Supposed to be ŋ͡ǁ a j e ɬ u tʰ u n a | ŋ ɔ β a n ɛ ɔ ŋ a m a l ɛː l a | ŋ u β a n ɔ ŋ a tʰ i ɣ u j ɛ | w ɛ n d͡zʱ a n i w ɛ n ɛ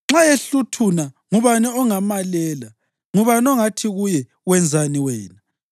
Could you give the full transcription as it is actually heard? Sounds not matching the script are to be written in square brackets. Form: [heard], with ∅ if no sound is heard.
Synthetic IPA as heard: ŋ͡ǁ a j e ɬ u tʰ u n a | ŋ [u] β a n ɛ ɔ ŋ a m a l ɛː l a | ŋ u β a n ɔ ŋ a tʰ i ɣ u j ɛ | w ɛ n d͡zʱ a n i w [ɛː] n [a]

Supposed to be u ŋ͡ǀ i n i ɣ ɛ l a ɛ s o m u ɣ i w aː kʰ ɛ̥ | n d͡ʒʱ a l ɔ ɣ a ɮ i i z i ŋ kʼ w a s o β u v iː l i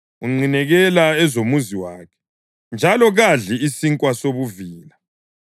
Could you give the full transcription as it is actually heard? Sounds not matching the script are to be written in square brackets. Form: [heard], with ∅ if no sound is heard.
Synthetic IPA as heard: u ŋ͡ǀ i n [ɛ] ɣ ɛ l a ɛ [z] o m u [z] i w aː kʰ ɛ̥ | n d͡ʒʱ a l ɔ ɣ a ɮ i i [s] i ŋ kʼ w a s o β u v iː l [a]

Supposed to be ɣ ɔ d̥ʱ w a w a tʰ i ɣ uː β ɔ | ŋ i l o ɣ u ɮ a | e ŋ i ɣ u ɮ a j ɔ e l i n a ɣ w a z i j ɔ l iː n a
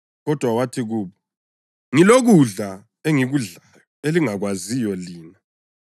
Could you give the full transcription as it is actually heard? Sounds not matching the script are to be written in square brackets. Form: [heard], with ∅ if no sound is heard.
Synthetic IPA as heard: ɣ ɔ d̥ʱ w a w a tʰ i ɣ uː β ɔ | ŋ i l o ɣ u ɮ a | e ŋ i ɣ u ɮ a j ɔ e l i [ŋ] a ɣ w a z i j ɔ l iː n a

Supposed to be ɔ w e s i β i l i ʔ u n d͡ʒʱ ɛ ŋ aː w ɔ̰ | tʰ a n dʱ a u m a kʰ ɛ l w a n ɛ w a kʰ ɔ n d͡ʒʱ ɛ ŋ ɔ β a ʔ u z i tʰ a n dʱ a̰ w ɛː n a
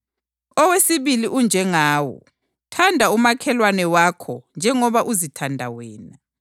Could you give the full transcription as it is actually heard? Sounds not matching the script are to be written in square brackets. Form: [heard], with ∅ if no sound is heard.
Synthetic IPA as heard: ɔ w e s i β i l i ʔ u n d͡ʒʱ ɛ ŋ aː w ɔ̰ | tʰ a n dʱ a u m a kʰ ɛ l w a n ɛ w a kʰ ɔ n d͡ʒʱ ɛ ŋ ɔ β a ʔ u z i tʰ a n dʱ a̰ w ɛː n a

